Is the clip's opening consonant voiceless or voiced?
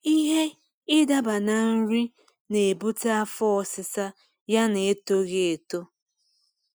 voiced